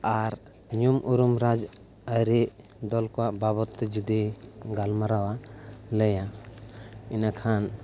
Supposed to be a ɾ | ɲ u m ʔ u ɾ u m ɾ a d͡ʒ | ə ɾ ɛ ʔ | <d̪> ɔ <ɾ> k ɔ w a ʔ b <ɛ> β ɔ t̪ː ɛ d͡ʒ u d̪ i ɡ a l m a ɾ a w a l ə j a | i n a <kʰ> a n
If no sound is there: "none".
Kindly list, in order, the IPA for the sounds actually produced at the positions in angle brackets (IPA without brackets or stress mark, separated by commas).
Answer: d̪, l, a, kʰ